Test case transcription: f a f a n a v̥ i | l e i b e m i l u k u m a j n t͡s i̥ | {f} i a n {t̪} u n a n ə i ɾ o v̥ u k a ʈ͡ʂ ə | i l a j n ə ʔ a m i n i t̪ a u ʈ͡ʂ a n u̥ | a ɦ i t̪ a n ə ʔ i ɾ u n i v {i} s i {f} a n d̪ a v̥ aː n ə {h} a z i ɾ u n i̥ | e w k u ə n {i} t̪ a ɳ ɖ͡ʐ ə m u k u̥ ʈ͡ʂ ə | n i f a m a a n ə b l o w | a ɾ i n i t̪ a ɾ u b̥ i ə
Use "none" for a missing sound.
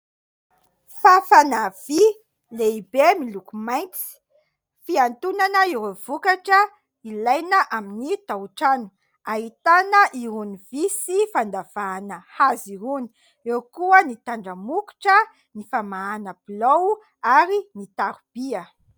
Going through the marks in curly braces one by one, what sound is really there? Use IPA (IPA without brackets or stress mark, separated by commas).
f, t̪, i, f, h, i